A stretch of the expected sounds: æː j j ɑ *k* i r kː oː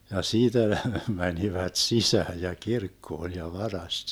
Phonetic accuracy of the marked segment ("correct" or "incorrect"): correct